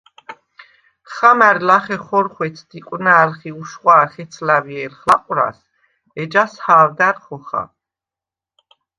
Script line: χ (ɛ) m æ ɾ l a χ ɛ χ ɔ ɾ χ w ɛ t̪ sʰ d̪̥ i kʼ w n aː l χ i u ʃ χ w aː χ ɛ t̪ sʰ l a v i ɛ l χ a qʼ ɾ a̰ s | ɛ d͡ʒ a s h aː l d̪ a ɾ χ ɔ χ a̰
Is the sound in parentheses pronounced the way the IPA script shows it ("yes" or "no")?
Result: no